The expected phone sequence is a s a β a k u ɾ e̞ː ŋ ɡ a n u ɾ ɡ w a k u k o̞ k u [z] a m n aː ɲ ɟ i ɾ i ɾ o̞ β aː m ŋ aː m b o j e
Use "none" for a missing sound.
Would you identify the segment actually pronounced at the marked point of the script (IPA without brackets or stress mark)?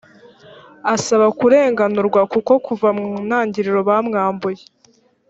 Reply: v